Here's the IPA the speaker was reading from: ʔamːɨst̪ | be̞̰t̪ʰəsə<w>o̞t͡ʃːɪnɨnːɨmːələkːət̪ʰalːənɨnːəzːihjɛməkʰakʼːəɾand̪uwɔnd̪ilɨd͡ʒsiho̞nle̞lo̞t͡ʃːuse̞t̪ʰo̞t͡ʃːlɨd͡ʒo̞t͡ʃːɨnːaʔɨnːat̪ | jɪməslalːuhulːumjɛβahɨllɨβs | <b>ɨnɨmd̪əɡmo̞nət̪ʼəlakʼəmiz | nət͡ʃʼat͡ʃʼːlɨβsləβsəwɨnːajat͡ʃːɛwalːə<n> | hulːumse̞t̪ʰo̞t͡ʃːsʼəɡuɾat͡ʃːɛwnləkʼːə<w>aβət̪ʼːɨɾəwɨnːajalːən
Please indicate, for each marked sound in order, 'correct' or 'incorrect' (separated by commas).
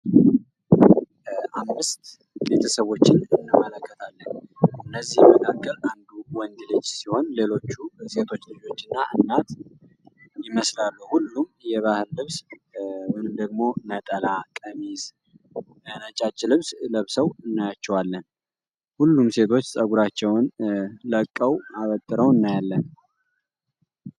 incorrect, incorrect, correct, correct